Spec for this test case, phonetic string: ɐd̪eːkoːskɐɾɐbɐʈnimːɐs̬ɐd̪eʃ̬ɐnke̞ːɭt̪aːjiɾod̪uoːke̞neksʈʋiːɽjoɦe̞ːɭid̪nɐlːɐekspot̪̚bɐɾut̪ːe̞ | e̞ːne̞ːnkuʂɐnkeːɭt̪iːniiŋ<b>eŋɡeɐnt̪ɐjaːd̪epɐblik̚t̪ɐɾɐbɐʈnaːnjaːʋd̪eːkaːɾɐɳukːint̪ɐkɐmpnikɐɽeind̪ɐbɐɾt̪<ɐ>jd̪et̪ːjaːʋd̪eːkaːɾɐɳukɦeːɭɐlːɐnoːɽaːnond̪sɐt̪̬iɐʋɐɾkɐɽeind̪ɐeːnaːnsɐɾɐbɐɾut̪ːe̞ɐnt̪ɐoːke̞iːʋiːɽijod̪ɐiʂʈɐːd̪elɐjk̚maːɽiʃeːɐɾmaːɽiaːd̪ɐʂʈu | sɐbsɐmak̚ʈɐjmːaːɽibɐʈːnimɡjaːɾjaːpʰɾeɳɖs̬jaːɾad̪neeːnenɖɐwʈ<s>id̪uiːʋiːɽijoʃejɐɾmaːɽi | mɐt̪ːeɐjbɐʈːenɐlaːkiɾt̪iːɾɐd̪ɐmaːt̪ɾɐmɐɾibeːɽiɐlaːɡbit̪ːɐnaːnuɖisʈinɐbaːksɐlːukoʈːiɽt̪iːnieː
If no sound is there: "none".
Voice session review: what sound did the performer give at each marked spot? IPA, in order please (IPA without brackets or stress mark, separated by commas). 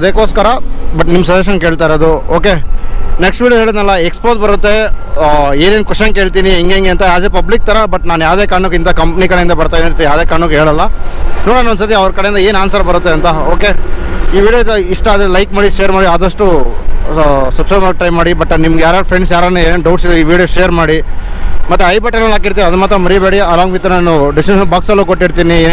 ɡ, a, s